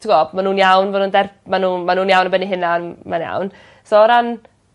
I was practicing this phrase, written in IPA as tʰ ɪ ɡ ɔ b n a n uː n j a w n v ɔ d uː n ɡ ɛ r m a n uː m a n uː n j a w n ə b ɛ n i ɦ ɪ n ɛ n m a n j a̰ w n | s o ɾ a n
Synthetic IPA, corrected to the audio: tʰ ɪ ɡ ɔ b m a n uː n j a w n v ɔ n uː n d ɛ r m a n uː m a n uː n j a w n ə b ɛ n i ɦ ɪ n a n m a n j a̰ w n | s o ɾ a n